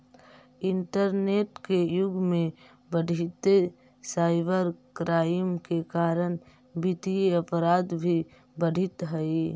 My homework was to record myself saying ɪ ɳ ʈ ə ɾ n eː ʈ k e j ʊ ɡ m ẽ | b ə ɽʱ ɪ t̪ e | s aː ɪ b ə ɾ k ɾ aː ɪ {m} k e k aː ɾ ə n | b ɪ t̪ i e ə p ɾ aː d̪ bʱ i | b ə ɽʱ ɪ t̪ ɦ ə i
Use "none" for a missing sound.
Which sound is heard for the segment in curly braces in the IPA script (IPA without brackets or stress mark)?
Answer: m